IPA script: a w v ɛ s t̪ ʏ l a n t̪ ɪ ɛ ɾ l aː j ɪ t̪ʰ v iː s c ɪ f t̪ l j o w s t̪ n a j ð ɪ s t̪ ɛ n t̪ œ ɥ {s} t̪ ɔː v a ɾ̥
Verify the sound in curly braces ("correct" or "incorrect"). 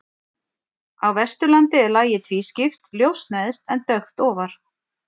incorrect